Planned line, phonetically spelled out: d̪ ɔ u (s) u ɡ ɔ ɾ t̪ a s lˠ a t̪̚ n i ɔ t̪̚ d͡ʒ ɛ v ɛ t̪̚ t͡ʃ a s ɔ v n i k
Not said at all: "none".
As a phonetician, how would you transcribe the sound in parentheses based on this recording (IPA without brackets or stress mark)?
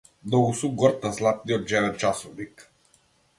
s